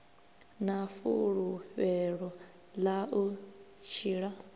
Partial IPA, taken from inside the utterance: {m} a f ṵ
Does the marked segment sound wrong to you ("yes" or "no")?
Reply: yes